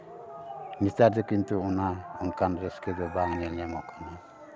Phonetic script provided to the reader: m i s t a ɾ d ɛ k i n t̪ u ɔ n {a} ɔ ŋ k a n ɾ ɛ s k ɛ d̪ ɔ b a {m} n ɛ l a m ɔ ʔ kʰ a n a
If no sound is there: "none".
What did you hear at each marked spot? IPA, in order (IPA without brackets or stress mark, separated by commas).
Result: a, ŋ